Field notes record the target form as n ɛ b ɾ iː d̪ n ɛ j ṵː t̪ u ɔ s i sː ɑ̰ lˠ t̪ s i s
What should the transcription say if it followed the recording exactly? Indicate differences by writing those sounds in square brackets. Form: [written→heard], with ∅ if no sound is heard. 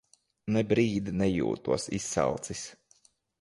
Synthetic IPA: n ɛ b ɾ iː d̪ n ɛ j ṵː t̪ u ɔ s i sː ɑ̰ lˠ t̪ s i s